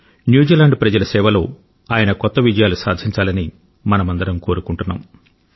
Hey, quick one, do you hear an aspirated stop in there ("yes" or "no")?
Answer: no